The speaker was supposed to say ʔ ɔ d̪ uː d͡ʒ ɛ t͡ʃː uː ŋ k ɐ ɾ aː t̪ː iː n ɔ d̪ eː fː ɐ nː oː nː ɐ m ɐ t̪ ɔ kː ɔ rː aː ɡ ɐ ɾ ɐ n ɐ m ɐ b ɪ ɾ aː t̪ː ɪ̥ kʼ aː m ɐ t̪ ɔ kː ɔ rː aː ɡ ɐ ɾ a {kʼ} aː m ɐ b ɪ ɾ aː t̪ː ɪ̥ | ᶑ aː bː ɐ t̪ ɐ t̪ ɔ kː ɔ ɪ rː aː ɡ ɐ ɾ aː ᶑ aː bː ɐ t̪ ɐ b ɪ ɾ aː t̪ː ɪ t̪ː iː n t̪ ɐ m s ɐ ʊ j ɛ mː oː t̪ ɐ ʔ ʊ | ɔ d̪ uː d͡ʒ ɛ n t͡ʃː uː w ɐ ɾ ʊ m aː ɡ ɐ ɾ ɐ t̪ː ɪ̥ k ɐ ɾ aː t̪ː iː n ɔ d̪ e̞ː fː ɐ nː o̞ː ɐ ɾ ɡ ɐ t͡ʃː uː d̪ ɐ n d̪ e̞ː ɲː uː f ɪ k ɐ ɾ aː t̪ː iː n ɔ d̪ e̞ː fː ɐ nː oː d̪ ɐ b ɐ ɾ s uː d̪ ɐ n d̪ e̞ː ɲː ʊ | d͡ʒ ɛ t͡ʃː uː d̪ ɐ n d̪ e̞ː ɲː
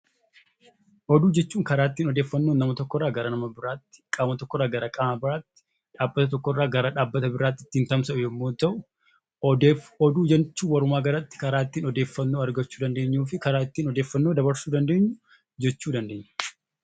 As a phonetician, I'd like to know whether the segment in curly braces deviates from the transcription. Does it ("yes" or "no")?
no